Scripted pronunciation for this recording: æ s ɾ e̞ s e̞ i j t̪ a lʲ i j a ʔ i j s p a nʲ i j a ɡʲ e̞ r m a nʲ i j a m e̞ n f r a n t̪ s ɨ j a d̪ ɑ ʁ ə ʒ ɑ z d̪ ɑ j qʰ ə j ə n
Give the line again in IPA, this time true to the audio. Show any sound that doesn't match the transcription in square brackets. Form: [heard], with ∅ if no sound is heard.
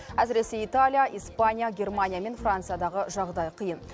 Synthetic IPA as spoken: æ s ɾ e̞ s e̞ i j t̪ a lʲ i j a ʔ i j s p a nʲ i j a ɡʲ e̞ r m a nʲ i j a m e̞ n f r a n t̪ s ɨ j a d̪ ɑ ʁ ə ʒ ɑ [ʁ] d̪ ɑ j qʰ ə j ə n

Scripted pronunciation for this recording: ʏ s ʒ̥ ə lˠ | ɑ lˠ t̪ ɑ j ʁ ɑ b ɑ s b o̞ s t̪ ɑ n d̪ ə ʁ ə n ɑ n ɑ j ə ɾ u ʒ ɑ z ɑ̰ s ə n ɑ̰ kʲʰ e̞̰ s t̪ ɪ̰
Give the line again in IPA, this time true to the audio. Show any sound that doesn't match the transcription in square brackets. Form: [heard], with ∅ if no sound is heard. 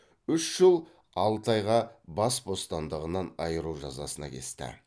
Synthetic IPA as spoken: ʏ [ʃ] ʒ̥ ə lˠ | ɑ lˠ t̪ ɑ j ʁ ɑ b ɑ s b o̞ s t̪ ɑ n d̪ ə ʁ ə n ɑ n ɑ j ə ɾ u ʒ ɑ z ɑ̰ s ə n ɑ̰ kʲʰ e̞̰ s t̪ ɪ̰

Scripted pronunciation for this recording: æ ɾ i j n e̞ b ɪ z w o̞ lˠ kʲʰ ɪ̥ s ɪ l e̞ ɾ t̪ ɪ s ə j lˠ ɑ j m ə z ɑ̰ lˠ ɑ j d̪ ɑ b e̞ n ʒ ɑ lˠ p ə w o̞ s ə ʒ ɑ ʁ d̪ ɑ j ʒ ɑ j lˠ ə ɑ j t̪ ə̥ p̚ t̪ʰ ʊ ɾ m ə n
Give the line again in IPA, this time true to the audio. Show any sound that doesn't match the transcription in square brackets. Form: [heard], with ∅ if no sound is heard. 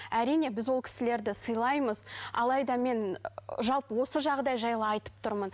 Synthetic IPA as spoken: æ ɾ i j n e̞ b ɪ z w o̞ lˠ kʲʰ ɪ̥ s ɪ l e̞ ɾ [d̪] ɪ s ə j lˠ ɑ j m ə z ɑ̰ lˠ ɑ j d̪ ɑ [m] e̞ n ʒ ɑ lˠ p ə w o̞ s ə ʒ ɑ ʁ d̪ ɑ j ʒ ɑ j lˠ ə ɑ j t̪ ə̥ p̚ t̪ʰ ʊ ɾ m ə n

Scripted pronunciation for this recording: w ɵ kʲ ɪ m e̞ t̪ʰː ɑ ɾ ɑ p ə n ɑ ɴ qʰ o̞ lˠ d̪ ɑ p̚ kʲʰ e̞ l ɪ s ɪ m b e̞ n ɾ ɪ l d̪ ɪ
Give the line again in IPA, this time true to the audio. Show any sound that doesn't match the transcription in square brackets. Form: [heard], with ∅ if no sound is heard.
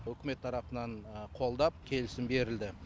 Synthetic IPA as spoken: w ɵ kʲ ɪ m e̞ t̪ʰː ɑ ɾ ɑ p ə n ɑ ɴ qʰ o̞ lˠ d̪ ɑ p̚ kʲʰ e̞ l ɪ s ɪ m b e̞ [∅] ɾ ɪ l d̪ ɪ

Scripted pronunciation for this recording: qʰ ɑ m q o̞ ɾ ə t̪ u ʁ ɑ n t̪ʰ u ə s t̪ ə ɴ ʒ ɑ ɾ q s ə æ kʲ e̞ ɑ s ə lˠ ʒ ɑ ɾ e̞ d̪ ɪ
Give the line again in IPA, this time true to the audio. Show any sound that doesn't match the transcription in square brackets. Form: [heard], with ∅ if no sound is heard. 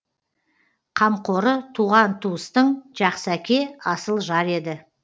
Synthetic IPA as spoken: qʰ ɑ m q o̞ ɾ ə [t̪ʰ] u ʁ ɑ n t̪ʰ u ə s t̪ ə ɴ ʒ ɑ [∅] q s ə æ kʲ e̞ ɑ s ə lˠ ʒ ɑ ɾ e̞ d̪ ɪ

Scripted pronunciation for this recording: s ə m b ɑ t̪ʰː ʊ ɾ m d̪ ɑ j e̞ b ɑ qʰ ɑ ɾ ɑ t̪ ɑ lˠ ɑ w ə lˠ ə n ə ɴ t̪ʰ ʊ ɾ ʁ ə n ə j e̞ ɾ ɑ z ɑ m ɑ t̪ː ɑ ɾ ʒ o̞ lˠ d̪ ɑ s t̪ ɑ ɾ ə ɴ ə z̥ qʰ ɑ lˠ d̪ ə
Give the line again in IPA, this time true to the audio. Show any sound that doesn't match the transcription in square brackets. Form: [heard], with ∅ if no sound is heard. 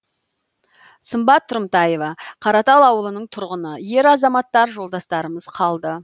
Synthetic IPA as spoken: s ə m b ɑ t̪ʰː ʊ ɾ m [t̪] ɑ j e̞ [v] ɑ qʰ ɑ ɾ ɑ t̪ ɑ lˠ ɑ w ə lˠ ə n ə ɴ t̪ʰ ʊ ɾ ʁ ə n ə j e̞ ɾ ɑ z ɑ m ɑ t̪ː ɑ ɾ ʒ o̞ lˠ d̪ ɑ s t̪ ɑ ɾ ə [m] ə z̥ qʰ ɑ lˠ d̪ ə

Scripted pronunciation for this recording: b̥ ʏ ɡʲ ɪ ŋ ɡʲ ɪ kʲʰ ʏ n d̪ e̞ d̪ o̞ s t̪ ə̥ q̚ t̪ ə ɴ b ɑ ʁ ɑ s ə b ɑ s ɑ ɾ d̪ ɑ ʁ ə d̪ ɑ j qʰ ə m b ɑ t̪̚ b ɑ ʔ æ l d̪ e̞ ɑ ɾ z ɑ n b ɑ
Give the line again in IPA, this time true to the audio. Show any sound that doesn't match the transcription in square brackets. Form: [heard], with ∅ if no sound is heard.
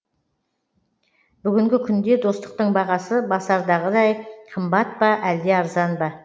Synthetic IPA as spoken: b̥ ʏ ɡʲ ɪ ŋ ɡʲ ɪ kʲʰ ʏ n d̪ e̞ d̪ o̞ s t̪ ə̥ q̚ t̪ ə ɴ b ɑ ʁ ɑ s ə b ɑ s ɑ ɾ d̪ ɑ ʁ ə d̪ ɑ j qʰ ə m b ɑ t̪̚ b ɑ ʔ æ l d̪ e̞ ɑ ɾ z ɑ n b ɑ

